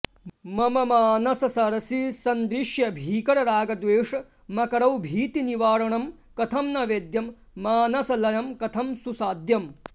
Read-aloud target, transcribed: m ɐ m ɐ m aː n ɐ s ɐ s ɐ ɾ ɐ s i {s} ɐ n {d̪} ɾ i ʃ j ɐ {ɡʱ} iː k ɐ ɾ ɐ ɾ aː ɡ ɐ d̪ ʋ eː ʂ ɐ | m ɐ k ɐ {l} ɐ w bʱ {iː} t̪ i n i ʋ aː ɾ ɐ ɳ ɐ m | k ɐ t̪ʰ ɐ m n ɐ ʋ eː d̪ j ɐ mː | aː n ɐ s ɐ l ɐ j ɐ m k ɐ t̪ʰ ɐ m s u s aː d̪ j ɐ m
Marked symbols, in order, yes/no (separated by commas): yes, yes, no, no, yes